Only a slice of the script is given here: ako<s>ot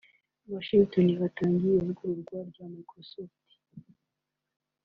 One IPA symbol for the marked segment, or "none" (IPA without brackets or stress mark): s